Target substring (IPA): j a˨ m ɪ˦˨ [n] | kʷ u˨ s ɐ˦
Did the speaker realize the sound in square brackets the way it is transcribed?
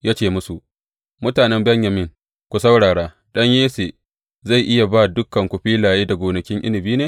no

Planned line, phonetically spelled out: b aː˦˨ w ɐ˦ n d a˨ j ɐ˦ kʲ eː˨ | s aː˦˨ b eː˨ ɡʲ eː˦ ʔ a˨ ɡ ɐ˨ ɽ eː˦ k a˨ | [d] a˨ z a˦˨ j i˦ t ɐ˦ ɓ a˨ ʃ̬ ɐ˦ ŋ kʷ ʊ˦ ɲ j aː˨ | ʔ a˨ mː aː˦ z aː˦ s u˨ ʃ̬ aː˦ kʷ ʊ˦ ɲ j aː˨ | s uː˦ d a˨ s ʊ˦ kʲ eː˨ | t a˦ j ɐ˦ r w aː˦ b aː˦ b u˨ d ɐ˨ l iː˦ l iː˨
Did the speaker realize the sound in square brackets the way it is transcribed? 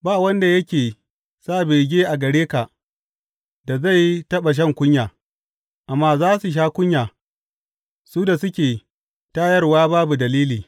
yes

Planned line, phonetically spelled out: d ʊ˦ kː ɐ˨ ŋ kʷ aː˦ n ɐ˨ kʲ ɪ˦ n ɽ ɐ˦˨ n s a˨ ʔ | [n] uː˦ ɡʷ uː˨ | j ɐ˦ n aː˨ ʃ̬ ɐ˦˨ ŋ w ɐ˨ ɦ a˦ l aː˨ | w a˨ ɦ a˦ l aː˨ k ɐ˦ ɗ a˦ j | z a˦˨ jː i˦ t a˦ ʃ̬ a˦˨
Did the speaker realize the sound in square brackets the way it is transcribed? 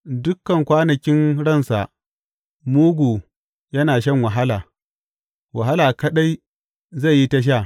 no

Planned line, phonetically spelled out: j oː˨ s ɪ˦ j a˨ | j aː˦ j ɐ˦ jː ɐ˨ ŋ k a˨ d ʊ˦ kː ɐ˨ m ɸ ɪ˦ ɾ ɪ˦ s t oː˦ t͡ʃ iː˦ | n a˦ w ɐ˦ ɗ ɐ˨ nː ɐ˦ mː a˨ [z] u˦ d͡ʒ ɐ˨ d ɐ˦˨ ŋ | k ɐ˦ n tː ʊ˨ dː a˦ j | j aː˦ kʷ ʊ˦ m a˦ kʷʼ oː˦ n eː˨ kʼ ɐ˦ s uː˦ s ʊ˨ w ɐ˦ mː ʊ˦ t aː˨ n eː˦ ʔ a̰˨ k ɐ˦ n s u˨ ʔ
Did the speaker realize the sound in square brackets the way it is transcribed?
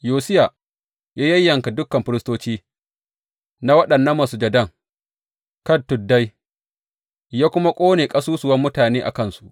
no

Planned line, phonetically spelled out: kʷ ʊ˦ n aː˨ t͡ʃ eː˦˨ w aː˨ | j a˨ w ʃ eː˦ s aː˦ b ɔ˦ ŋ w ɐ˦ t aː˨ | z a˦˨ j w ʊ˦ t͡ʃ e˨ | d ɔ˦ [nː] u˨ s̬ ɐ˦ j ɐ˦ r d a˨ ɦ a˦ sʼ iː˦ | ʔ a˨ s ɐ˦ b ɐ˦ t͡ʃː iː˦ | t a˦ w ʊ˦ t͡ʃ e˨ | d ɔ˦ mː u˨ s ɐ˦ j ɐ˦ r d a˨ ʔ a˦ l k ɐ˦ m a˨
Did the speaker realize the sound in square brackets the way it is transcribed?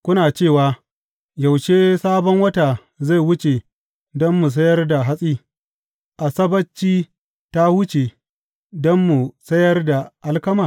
no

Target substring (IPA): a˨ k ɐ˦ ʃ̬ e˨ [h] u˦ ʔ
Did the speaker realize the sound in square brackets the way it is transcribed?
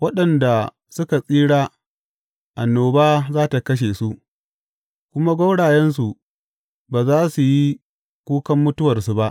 no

